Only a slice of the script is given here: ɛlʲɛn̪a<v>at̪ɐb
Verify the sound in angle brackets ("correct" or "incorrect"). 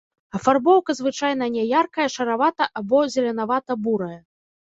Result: correct